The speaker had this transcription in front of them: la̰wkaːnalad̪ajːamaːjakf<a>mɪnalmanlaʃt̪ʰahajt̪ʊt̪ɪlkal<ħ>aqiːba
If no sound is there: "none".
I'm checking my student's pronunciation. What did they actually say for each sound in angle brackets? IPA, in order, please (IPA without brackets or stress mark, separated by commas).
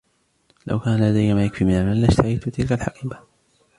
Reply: i, ħ